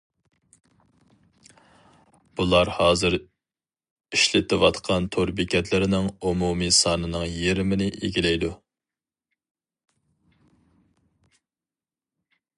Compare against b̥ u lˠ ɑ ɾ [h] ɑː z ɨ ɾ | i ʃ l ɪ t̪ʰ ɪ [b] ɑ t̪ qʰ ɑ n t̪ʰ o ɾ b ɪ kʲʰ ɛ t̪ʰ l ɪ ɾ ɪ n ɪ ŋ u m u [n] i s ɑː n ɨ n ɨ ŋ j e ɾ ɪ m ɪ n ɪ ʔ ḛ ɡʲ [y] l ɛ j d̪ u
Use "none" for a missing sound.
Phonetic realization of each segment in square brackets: h, w, m, i

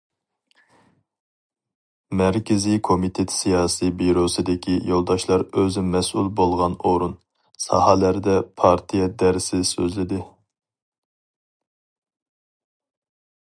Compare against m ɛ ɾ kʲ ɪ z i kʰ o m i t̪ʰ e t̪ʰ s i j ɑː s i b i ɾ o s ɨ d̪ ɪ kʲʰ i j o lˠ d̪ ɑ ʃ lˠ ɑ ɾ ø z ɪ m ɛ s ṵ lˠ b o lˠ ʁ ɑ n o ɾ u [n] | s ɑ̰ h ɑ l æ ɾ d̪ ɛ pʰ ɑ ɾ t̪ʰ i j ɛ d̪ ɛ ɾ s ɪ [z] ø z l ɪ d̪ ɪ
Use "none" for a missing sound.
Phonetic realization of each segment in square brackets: n, s

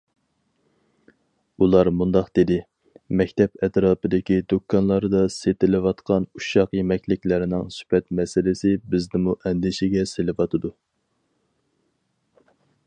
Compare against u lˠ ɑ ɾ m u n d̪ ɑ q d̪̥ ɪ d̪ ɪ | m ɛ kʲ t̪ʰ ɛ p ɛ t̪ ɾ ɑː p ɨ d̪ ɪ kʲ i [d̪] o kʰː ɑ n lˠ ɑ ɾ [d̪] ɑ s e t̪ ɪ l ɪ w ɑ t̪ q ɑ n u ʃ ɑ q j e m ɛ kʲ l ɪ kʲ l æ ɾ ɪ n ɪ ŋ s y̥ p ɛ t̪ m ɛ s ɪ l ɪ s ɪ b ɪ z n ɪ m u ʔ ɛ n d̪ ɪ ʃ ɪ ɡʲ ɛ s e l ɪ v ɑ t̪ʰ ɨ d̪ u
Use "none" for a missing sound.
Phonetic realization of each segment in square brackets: d̪, d̪

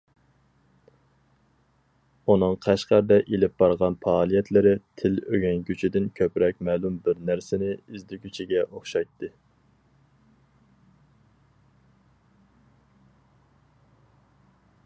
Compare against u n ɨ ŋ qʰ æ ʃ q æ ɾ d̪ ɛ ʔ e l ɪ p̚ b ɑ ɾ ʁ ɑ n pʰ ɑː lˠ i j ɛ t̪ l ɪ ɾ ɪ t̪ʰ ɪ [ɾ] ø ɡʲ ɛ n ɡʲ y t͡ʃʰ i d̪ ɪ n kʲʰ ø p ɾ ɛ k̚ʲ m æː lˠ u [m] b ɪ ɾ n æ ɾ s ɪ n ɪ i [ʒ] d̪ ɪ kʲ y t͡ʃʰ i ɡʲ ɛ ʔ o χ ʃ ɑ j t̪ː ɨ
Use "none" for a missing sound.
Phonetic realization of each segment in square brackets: l, m, z

